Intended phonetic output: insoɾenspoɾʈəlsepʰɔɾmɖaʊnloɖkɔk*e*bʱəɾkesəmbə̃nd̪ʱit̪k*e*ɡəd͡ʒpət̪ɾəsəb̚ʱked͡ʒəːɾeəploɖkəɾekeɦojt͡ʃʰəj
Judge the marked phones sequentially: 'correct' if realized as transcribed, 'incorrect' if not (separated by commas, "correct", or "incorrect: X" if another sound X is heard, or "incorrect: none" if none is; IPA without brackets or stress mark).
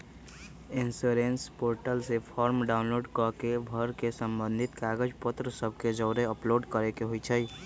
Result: correct, incorrect: a